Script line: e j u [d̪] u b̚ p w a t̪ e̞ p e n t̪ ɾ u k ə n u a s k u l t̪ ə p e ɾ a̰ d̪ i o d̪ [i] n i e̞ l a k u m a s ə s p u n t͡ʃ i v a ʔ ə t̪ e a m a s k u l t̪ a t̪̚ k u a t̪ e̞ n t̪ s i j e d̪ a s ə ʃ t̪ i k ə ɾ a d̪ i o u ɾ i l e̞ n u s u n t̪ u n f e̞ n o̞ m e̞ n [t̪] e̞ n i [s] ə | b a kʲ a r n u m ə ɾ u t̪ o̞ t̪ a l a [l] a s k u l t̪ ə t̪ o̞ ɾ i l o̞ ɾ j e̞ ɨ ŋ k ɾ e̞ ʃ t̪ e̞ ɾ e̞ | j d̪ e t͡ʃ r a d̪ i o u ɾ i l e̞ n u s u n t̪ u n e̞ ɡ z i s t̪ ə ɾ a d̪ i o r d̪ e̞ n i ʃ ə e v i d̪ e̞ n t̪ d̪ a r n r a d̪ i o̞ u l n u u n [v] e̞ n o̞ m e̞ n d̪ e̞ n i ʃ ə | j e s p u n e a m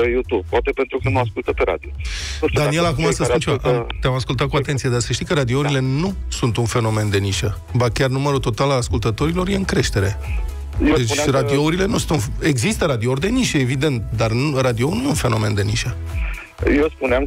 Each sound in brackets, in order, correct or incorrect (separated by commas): incorrect, incorrect, incorrect, incorrect, correct, incorrect